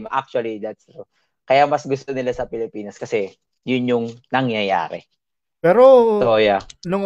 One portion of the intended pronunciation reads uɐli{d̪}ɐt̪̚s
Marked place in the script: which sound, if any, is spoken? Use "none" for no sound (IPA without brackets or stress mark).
d̪